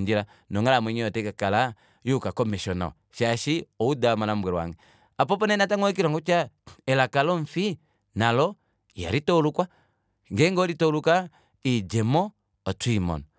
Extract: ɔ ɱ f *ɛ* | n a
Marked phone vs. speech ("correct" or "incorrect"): incorrect